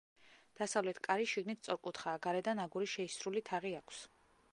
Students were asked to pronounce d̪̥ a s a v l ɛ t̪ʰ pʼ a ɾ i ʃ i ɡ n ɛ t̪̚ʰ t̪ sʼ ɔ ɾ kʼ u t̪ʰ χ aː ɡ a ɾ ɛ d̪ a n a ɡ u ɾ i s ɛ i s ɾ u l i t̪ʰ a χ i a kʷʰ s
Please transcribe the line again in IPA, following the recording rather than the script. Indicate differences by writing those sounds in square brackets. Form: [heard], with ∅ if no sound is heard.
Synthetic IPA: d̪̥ a s a v l ɛ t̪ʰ [kʼ] a ɾ i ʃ i ɡ n [i] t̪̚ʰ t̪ sʼ ɔ ɾ kʼ u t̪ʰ χ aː ɡ a ɾ ɛ d̪ a n a ɡ u ɾ i [ʃ] ɛ i s ɾ u l i t̪ʰ a [ʁ] i a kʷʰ s